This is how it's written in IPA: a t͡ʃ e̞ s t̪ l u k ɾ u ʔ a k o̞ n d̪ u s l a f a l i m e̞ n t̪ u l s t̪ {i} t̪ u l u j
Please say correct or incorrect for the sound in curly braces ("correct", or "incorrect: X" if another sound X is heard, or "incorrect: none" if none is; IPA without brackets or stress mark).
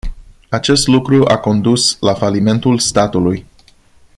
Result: incorrect: a